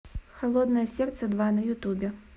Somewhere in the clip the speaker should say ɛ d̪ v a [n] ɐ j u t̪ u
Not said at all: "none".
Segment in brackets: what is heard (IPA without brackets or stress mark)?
n